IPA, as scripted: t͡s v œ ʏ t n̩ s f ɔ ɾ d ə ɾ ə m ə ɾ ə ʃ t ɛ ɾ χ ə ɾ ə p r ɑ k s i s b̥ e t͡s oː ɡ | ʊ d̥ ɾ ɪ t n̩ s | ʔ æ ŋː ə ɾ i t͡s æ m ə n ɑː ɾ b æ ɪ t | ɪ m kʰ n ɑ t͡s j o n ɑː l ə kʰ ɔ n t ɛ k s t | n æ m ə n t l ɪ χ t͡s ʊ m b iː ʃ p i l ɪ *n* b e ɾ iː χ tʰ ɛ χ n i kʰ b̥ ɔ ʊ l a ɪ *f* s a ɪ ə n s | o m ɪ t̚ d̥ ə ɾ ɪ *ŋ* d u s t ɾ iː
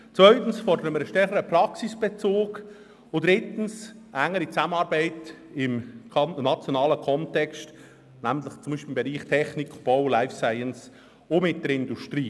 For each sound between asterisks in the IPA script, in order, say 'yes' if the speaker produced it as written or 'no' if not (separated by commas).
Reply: no, yes, no